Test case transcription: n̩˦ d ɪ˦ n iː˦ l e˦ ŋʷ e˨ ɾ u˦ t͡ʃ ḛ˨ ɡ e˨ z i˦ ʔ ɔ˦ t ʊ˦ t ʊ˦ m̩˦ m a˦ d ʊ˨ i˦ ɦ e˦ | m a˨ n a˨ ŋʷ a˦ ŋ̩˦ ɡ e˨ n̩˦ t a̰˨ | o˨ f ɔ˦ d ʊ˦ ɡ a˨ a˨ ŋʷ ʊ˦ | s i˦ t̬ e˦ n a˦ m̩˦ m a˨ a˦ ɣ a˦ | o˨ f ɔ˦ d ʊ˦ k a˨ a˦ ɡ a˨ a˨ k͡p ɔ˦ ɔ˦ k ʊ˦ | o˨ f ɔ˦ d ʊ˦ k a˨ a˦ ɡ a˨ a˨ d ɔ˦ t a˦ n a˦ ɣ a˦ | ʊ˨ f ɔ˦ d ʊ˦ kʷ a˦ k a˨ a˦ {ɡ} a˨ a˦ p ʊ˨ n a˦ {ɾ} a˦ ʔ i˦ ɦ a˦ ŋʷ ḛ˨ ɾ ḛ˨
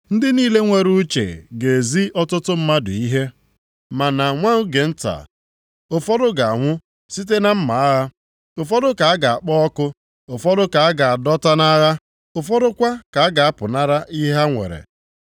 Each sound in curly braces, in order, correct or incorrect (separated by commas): correct, correct